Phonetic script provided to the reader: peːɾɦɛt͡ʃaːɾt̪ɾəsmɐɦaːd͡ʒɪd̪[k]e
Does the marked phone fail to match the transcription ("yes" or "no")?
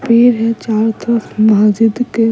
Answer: no